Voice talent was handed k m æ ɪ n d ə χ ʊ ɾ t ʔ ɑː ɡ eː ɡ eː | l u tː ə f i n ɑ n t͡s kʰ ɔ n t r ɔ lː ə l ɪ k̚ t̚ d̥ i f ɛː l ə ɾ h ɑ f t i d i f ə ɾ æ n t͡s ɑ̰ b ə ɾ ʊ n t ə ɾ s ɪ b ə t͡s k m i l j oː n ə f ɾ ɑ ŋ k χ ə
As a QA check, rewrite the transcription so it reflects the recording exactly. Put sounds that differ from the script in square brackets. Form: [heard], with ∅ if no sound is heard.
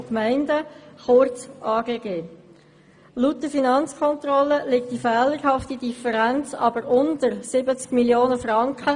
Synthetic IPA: k m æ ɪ n d ə χ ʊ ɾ [t͡s] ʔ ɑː ɡ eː ɡ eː | l u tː ə f i n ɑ n t͡s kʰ ɔ n t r ɔ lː ə l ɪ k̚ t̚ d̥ i f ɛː l ə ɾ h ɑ f t i d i f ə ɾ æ n t͡s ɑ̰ b ə ɾ ʊ n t ə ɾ s ɪ b ə t͡s k m i l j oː n ə f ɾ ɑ ŋ k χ ə